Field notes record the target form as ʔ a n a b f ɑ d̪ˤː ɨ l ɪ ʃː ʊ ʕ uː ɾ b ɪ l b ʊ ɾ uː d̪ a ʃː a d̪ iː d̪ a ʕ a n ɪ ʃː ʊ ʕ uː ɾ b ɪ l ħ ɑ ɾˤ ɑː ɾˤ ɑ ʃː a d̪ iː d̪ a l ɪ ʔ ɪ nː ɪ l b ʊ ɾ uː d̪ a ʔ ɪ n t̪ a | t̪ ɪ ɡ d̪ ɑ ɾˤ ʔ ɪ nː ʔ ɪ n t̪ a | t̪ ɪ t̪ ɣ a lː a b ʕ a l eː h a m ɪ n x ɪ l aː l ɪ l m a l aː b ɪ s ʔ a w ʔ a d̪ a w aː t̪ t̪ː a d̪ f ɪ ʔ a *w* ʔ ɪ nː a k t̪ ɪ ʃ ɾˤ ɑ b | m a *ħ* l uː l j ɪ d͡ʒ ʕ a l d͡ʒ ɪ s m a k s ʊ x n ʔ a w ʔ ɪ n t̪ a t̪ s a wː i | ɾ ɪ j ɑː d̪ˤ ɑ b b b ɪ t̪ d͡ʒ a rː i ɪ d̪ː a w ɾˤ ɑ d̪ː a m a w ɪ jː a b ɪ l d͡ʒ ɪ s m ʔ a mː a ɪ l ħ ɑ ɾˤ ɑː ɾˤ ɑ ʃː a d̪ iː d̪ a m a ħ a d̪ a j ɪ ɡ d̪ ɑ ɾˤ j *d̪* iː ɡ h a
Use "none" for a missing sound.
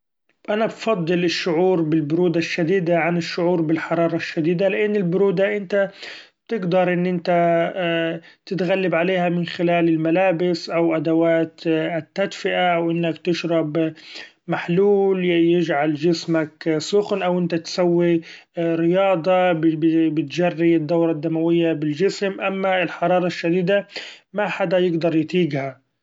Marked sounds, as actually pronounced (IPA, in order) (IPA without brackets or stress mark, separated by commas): w, ħ, t̪